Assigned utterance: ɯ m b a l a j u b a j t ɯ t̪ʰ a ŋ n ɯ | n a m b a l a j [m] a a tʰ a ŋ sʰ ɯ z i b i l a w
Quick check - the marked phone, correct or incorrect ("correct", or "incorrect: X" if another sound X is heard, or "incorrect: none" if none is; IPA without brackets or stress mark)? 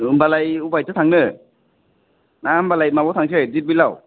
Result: correct